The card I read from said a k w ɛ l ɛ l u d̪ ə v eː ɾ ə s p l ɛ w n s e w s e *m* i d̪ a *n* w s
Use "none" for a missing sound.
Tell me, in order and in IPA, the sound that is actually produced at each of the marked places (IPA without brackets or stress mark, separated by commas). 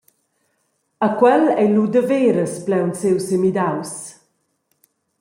m, none